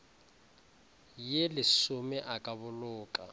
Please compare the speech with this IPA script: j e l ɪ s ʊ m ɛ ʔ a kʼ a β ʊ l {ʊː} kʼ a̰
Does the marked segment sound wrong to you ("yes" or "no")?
no